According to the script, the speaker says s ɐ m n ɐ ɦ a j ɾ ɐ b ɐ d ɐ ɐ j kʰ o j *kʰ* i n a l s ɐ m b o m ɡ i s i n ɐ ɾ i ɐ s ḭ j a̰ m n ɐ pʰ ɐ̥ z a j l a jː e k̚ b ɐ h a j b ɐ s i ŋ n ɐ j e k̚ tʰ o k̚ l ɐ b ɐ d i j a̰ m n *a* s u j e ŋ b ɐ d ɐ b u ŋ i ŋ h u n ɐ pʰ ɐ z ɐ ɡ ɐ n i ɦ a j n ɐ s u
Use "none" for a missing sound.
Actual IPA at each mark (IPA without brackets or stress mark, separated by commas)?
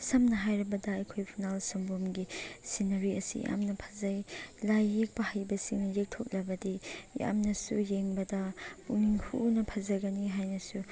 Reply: pʰ, ɐ